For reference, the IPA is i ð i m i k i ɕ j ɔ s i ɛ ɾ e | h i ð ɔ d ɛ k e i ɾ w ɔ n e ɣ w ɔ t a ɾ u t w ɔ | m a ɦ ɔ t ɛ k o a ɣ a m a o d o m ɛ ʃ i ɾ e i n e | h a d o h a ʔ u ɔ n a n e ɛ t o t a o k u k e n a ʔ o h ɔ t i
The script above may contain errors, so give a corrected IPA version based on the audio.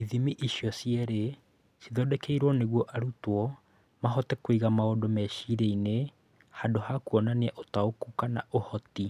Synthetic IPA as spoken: i ð i m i ʔ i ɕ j ɔ s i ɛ ɾ e | s i ð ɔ d ɛ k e i ɾ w ɔ n e ɣ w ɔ ʔ a ɾ u t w ɔ | m a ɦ ɔ t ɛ k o i ɣ a m a o d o m ɛ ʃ i ɾ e i n e | h a d o h a k u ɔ n a n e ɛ ʔ o t a o k u k a n a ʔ o h ɔ t i